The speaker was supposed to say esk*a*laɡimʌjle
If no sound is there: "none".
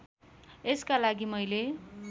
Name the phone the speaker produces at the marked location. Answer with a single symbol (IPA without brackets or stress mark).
a